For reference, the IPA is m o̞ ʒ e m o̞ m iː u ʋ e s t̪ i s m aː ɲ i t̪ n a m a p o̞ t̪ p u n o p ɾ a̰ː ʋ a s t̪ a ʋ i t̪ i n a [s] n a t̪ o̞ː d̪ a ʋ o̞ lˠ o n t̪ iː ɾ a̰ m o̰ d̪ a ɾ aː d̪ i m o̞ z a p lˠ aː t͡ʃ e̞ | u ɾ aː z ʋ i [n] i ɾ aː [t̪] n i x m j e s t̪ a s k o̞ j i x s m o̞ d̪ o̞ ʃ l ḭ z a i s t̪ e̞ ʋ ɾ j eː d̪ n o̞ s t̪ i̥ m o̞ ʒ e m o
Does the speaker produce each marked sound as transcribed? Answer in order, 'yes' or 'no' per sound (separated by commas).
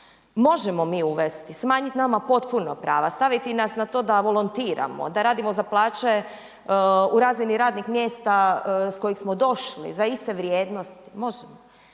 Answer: yes, yes, no